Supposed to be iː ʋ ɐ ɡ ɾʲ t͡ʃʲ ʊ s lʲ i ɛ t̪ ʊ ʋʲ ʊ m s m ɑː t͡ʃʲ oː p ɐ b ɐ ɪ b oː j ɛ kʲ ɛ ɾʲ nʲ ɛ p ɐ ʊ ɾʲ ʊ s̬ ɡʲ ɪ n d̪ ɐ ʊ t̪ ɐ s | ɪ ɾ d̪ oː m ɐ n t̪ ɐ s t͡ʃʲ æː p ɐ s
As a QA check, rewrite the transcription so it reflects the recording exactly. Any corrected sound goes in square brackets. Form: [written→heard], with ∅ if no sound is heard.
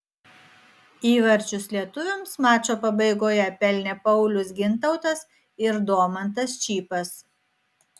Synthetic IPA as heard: iː ʋ ɐ [ɡ→∅] ɾʲ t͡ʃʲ ʊ s lʲ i ɛ t̪ ʊ ʋʲ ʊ m s m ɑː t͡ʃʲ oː p ɐ b ɐ ɪ [b→ɡ] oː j ɛ [kʲ→pʲ] ɛ [ɾʲ→lʲ] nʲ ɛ p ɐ ʊ [ɾʲ→lʲ] ʊ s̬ ɡʲ ɪ n [d̪→t̪] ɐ ʊ t̪ ɐ s | ɪ ɾ d̪ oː m ɐ n t̪ ɐ s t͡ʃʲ [æː→iː] p ɐ s